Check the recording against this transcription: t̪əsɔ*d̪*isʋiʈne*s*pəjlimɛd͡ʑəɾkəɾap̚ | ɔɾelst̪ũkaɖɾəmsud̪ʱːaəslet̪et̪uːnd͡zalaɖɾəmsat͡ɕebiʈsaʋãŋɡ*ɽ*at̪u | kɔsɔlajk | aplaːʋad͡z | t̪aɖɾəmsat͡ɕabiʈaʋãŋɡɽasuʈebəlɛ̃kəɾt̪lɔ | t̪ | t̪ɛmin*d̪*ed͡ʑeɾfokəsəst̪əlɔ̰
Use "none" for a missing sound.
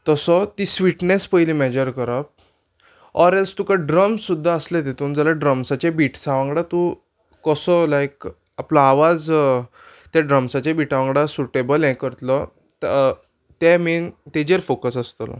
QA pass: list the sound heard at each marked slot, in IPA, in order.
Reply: t̪, s, ɽ, t̪

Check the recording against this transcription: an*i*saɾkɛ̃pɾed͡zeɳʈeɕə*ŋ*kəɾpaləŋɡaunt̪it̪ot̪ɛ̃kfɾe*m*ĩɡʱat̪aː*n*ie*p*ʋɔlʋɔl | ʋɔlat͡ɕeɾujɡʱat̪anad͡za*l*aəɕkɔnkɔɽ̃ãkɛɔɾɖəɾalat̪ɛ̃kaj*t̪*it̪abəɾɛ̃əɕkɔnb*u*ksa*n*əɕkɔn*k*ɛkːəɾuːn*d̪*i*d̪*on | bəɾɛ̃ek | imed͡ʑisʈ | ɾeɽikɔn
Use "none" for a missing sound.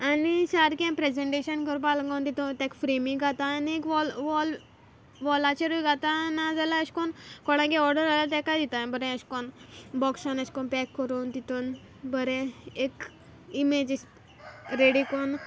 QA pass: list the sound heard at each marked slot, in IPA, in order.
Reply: i, n, m, n, k, l, d̪, ɔ, n, p, t̪, t̪

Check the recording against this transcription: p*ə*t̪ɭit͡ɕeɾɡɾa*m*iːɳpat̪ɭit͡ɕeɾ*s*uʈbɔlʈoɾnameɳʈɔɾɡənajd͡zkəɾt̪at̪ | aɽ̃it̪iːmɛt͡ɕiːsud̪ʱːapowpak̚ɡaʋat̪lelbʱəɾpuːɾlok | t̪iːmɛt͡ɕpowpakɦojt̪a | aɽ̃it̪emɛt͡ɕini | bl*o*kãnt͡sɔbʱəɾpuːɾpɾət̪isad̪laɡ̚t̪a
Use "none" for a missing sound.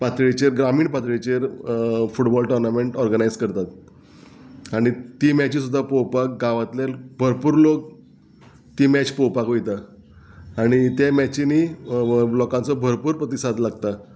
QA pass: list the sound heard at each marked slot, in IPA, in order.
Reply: a, m, f, ɔ

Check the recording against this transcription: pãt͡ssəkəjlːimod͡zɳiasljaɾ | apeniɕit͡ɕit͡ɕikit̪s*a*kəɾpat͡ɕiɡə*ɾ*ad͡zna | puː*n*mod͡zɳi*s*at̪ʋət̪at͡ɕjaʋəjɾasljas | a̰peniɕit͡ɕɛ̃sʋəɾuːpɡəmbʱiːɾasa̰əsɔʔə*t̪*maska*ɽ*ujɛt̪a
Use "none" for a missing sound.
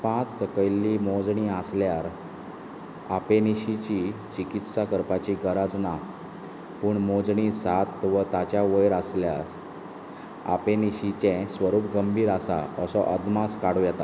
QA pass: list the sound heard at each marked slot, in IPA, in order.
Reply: a, ɾ, ɳ, s, d̪, ɽ

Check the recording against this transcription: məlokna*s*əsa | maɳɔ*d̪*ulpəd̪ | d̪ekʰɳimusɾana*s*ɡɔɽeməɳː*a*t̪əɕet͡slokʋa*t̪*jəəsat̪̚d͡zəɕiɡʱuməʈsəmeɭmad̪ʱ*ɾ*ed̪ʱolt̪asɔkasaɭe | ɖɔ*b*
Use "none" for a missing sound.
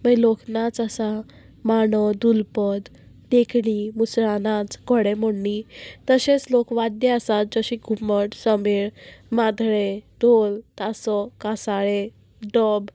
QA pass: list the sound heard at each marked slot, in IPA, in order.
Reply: t͡s, d̪, t͡s, i, d̪, ɭ, b

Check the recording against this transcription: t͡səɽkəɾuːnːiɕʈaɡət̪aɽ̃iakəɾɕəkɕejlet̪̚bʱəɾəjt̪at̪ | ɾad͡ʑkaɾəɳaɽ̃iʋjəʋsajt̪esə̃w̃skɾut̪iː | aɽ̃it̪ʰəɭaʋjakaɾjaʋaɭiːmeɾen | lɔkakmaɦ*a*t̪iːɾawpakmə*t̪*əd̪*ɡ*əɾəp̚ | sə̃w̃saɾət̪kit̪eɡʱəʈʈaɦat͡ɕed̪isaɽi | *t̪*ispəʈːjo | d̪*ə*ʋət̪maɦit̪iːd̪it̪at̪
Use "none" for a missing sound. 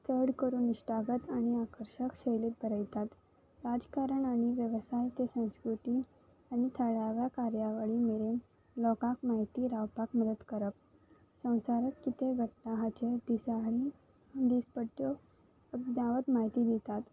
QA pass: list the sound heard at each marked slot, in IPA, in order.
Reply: i, d̪, k, d̪, a

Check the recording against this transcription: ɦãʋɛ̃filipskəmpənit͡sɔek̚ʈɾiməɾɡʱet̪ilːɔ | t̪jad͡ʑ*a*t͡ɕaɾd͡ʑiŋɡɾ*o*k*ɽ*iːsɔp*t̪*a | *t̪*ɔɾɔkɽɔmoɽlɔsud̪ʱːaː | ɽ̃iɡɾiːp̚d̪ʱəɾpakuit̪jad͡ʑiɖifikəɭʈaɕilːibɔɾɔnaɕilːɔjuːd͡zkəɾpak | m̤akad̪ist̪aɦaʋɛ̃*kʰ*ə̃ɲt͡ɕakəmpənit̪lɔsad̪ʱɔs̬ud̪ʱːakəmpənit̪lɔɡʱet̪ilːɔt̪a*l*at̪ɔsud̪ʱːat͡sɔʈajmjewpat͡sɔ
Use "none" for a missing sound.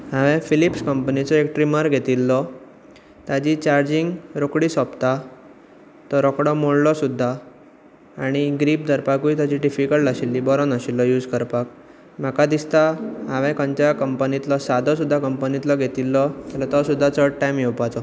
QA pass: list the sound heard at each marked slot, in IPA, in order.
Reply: i, o, ɽ, t̪, t̪, k, l

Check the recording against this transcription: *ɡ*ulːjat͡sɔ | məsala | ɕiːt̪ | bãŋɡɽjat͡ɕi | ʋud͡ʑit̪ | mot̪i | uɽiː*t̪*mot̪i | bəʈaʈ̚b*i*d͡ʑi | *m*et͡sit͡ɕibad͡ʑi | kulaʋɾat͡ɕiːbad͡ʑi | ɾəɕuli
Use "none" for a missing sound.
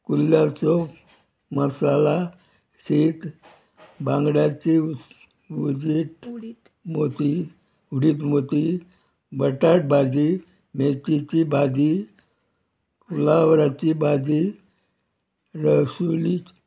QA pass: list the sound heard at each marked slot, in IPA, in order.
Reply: k, t̪, a, m

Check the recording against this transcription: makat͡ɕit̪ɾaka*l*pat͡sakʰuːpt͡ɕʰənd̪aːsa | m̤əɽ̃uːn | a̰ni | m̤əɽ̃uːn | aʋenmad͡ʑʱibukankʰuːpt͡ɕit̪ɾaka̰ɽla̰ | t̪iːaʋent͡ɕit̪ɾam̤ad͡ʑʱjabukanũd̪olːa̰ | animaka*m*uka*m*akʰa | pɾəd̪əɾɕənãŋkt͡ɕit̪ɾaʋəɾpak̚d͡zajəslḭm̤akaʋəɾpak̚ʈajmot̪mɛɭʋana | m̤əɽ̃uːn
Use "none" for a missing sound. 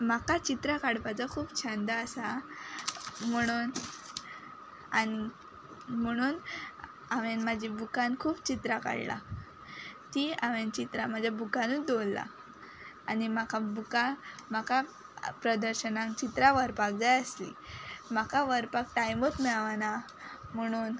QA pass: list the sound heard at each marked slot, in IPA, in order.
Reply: ɽ, b, m

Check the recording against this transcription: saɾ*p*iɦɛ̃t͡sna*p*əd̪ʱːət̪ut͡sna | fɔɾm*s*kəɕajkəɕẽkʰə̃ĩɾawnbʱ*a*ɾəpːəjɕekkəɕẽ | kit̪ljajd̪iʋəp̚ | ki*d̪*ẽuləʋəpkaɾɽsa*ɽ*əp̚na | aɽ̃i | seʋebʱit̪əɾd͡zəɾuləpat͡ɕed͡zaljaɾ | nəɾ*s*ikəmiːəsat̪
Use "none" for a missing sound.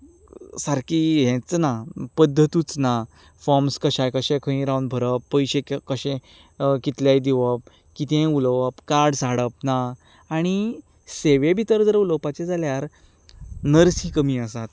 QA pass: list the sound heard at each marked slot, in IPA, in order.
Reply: k, p, s, ə, t̪, ɽ, s

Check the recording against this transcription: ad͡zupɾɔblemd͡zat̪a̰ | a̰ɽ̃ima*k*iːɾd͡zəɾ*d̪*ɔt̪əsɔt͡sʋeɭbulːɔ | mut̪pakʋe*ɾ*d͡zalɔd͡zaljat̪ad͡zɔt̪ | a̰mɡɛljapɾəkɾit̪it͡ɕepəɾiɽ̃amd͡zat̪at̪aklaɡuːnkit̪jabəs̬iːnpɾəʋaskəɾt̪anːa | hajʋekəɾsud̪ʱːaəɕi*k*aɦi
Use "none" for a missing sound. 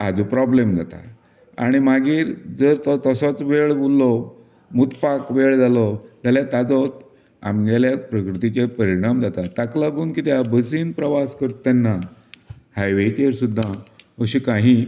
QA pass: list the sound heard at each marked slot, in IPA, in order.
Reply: ɡ, t̪, ɭ, k

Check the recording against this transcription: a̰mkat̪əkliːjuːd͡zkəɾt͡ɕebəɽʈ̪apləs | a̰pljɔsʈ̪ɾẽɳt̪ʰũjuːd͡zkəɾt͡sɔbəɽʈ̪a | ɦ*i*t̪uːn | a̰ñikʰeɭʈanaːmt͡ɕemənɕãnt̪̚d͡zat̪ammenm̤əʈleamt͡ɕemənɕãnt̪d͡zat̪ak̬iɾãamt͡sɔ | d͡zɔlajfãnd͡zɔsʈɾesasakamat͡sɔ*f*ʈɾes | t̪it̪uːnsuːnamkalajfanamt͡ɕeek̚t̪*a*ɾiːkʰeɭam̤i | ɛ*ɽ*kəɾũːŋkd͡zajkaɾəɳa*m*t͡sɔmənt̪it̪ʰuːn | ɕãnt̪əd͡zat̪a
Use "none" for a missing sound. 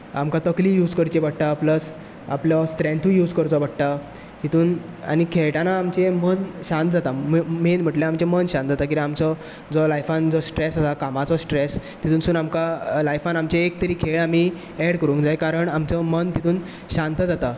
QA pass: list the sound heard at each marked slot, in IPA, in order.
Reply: i, s, ə, ɽ, m

